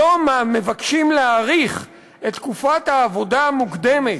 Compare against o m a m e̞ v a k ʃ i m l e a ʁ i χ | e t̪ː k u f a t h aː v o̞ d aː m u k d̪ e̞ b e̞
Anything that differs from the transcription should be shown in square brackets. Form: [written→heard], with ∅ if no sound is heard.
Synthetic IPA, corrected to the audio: o m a m e̞ v a k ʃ i m l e a ʁ i χ | e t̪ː k u f a t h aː v o̞ d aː m u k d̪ e̞ [b→m] e̞